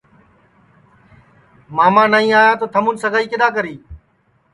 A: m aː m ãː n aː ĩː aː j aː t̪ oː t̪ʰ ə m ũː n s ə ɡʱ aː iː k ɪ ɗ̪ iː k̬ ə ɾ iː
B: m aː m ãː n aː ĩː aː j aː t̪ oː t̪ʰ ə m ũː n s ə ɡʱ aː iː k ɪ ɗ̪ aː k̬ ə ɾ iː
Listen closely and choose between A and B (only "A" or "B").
B